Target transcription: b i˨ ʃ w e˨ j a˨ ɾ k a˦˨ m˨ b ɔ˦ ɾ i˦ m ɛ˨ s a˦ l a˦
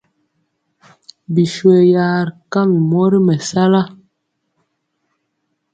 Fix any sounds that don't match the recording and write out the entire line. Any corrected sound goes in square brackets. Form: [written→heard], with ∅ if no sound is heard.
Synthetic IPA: b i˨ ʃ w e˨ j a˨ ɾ k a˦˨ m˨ [b→m] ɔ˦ ɾ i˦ m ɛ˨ s a˦ l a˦